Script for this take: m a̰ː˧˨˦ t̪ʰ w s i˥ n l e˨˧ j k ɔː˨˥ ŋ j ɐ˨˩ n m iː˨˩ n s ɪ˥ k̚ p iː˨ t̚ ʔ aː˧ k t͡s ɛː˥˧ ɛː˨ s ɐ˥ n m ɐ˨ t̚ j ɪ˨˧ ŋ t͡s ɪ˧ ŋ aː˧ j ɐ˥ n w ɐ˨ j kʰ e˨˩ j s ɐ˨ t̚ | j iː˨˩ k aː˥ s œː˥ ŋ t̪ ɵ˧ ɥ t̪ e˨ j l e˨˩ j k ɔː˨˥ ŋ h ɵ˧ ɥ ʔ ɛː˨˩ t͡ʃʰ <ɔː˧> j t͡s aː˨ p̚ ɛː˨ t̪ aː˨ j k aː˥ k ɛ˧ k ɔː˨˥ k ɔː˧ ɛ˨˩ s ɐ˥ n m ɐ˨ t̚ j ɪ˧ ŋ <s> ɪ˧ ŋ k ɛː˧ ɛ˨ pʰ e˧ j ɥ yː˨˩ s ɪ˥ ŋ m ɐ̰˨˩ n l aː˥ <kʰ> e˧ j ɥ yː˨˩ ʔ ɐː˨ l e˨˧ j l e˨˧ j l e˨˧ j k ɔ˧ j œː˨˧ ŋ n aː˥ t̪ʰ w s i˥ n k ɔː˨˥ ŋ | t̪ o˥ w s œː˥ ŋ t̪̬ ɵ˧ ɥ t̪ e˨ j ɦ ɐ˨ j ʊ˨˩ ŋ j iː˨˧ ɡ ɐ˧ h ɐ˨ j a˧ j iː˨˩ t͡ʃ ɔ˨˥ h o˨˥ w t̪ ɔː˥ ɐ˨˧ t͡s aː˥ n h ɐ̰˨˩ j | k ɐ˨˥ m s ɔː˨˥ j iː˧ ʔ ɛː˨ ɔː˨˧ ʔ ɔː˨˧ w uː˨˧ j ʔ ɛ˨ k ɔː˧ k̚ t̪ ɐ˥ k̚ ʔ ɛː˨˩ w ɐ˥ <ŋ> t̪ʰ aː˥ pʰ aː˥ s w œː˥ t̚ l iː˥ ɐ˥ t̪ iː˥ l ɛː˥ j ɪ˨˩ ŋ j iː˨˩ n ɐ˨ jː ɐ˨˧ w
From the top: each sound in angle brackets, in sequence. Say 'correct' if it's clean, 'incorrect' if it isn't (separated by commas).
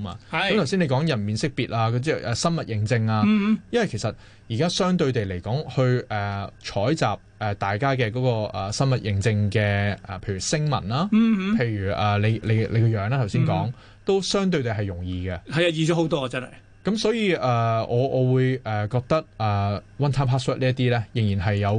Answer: incorrect, incorrect, incorrect, incorrect